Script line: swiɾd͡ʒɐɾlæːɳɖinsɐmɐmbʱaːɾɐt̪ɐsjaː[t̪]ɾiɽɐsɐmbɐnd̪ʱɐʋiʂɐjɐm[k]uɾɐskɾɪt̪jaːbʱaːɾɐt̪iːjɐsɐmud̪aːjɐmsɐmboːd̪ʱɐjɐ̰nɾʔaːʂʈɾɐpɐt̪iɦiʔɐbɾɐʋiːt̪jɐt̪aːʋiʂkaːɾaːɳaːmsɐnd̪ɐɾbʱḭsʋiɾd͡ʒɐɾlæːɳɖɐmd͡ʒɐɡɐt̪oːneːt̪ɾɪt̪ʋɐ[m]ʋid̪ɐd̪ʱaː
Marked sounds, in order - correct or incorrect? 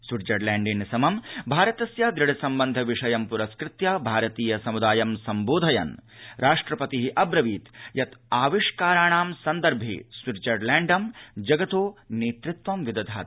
incorrect, incorrect, correct

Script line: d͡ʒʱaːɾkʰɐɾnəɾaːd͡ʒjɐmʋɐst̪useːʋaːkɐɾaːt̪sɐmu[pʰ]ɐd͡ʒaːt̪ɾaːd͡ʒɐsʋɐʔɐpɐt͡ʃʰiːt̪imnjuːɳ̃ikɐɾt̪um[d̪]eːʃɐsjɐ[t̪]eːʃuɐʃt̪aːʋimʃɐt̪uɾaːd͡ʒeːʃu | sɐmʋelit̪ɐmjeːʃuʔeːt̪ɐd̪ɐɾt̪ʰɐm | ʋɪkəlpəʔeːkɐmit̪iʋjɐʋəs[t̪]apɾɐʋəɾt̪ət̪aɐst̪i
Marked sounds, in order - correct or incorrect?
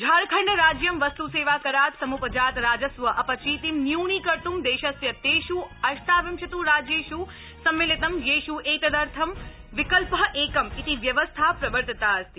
incorrect, correct, correct, incorrect

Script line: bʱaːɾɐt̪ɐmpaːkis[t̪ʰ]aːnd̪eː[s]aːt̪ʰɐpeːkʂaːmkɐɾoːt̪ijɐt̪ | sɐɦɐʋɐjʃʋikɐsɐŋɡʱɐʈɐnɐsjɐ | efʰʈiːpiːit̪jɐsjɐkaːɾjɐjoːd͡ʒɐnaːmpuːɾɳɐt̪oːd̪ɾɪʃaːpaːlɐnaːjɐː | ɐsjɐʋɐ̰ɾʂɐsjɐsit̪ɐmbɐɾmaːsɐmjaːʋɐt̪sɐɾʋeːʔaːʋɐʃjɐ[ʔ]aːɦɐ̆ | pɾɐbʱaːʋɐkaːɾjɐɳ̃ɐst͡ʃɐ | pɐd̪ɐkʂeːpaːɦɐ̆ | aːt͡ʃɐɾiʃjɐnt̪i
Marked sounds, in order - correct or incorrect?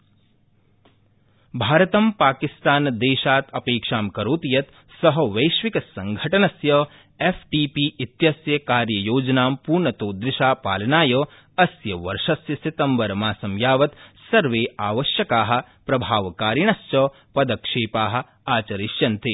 incorrect, incorrect, incorrect

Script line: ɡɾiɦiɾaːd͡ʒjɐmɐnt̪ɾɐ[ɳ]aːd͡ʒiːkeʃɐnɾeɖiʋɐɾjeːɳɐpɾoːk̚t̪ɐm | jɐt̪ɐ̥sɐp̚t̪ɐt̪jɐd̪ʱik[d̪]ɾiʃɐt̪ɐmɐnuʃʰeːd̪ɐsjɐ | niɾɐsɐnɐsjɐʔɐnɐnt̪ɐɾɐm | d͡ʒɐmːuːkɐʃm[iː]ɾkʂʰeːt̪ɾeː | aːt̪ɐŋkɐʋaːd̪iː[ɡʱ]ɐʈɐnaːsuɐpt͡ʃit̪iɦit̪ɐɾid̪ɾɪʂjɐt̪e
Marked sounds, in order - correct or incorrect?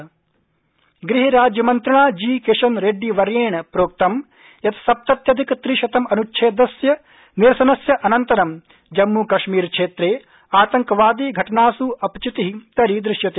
correct, incorrect, correct, correct

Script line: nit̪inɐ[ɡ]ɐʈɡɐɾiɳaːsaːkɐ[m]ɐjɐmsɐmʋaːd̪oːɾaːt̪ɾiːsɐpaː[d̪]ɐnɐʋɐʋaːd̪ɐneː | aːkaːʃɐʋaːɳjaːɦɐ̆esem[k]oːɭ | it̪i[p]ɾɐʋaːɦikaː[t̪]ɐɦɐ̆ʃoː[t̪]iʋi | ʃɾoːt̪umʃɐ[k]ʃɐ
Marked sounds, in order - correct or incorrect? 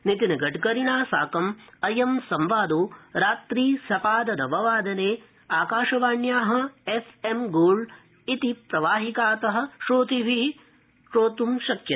correct, correct, correct, incorrect, correct, correct, correct, correct

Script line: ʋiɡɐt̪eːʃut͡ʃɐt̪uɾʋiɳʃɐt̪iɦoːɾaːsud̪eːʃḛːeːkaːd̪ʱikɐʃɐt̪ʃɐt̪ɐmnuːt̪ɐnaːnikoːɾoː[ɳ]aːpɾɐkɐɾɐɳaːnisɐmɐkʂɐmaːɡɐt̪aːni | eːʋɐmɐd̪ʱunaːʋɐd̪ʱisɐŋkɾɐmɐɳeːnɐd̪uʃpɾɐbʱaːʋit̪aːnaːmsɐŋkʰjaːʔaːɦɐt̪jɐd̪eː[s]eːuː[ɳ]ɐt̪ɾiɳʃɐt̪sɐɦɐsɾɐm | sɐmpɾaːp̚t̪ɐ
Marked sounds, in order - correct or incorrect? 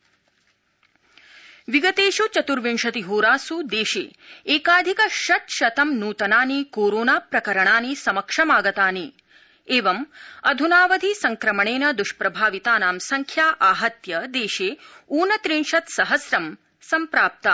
incorrect, incorrect, incorrect

